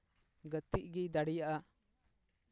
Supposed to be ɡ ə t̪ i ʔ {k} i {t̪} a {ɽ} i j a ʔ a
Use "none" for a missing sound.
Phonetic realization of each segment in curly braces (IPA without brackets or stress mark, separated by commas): ɡ, d̪, ɽ